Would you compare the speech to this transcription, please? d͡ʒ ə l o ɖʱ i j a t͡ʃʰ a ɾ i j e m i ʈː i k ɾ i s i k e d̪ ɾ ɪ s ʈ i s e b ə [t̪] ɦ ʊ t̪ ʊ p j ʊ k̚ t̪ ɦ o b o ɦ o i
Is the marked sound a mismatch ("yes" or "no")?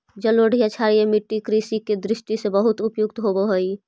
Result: yes